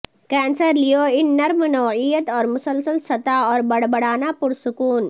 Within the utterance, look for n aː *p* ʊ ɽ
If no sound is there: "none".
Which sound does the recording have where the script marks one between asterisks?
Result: p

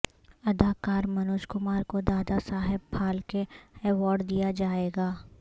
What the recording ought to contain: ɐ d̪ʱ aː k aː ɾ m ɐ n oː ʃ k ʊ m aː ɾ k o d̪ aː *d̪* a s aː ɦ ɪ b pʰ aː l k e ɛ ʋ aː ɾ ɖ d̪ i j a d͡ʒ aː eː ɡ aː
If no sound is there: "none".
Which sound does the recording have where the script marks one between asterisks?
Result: d̪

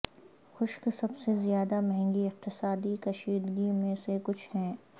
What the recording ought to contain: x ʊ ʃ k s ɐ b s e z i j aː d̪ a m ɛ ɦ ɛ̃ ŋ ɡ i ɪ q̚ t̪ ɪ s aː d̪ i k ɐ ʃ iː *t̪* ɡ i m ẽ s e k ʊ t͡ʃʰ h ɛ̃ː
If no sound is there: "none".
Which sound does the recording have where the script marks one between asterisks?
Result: d̪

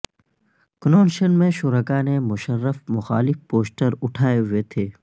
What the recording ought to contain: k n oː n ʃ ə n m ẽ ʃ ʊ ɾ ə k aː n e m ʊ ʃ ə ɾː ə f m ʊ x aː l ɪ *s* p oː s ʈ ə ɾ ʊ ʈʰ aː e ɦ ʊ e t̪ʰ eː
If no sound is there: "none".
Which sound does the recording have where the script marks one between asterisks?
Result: f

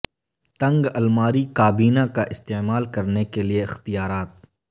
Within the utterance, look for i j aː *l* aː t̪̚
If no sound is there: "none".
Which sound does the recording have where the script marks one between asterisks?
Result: ɾ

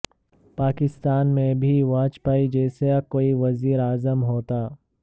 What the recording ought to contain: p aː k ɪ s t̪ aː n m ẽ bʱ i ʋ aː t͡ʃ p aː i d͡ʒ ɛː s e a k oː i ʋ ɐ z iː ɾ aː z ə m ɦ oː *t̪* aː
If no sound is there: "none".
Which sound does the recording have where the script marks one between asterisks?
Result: t̪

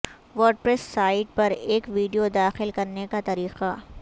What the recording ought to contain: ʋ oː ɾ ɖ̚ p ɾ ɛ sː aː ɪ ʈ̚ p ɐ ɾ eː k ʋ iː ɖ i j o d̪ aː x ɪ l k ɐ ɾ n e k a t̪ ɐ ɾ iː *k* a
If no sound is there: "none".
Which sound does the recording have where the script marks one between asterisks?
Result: q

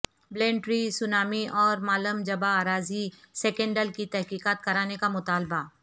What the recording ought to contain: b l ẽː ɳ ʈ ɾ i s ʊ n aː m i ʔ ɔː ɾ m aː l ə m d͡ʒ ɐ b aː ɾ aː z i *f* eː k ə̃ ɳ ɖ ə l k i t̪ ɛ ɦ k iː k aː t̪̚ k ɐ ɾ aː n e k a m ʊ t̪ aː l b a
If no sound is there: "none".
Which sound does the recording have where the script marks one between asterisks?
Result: s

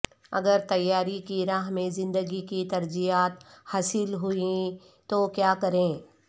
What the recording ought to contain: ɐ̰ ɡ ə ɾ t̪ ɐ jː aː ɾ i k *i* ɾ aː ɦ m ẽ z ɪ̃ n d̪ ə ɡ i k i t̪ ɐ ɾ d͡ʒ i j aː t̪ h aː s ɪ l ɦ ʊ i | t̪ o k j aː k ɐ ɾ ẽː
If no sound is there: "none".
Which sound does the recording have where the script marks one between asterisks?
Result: i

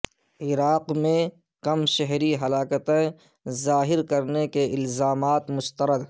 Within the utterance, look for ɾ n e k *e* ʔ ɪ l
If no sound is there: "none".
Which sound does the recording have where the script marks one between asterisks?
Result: e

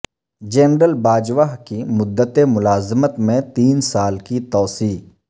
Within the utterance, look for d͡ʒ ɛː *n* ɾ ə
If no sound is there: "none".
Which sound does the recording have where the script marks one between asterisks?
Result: n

